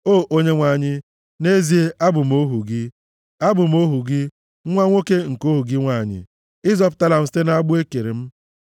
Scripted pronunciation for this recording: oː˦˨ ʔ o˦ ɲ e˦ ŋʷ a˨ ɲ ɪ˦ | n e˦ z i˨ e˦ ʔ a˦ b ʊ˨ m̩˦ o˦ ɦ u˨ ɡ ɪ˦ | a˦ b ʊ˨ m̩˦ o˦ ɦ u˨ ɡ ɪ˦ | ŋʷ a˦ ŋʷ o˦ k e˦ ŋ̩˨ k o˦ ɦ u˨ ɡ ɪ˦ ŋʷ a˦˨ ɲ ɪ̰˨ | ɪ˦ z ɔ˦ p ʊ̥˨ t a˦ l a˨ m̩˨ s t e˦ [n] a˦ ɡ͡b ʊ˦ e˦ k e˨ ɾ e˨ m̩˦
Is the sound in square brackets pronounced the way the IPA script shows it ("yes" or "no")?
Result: yes